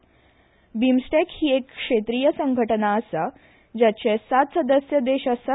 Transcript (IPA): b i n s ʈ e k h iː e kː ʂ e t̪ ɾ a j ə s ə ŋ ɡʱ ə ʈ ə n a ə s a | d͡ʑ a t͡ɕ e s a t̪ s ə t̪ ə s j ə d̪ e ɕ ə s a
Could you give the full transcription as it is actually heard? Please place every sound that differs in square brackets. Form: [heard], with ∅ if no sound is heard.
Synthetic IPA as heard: b i [m] s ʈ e k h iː e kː ʂ e t̪ ɾ [i] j ə s ə ŋ ɡʱ ə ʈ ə n a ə s a | d͡ʑ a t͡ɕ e s a t̪ s ə [d̪] ə s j ə d̪ e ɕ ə s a